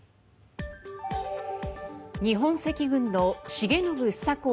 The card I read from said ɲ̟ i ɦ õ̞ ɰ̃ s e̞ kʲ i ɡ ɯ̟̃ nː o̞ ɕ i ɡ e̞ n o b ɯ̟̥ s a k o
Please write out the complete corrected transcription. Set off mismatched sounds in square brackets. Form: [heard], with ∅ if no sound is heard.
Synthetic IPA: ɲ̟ i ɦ õ̞ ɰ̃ s e̞ kʲ i ɡ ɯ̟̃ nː o̞ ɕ i ɡ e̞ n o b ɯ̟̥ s a k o